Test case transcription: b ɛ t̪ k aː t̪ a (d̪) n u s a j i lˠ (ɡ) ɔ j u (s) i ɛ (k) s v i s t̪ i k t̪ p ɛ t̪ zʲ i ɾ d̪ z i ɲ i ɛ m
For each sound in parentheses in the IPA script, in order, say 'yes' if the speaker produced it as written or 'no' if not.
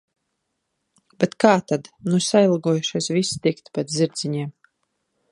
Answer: yes, yes, no, no

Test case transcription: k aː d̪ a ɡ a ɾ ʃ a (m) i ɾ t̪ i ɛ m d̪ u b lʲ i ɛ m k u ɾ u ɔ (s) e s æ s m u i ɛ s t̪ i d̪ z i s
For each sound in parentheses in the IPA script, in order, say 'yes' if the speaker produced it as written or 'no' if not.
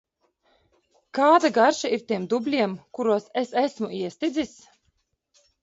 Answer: no, yes

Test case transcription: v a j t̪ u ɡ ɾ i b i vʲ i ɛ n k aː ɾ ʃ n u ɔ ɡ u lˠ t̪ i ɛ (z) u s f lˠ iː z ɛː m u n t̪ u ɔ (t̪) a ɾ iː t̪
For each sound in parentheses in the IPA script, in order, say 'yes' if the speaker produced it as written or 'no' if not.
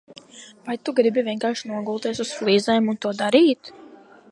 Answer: no, no

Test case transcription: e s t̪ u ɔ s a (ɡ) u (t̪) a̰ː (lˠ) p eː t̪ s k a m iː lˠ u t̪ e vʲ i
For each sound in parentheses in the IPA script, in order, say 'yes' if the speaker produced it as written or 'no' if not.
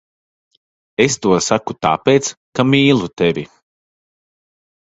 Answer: no, yes, no

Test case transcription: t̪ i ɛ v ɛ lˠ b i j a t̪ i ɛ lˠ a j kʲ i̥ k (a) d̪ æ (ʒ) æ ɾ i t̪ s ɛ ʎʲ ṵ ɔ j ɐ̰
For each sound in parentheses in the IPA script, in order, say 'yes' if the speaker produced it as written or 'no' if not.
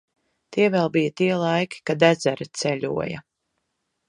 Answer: yes, no

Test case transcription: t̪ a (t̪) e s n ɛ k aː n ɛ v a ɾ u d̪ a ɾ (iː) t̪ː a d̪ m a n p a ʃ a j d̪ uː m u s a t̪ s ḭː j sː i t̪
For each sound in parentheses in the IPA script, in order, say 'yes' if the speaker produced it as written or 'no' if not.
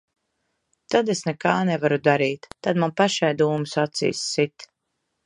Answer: no, yes

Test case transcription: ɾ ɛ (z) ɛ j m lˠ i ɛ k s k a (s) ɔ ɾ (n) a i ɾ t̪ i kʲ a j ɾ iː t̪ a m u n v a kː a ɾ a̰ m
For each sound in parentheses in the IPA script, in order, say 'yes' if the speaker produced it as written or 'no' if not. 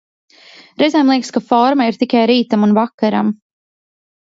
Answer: yes, no, no

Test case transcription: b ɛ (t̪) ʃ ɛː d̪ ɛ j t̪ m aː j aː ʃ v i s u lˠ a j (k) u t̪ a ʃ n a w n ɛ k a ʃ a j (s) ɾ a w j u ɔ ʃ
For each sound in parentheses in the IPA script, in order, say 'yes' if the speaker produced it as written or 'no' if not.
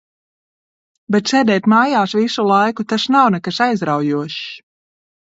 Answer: yes, yes, no

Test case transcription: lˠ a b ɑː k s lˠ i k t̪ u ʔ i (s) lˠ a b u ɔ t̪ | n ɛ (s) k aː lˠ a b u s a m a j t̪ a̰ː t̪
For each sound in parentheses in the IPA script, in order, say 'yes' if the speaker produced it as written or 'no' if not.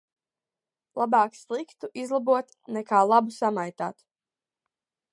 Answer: no, no

